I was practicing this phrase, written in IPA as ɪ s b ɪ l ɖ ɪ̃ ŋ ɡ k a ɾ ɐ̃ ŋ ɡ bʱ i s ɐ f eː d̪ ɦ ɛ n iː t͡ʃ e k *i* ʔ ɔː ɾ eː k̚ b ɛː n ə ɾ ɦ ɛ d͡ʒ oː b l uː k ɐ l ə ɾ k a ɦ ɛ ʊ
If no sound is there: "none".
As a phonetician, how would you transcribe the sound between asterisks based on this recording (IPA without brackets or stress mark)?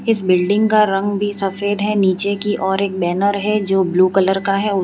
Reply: i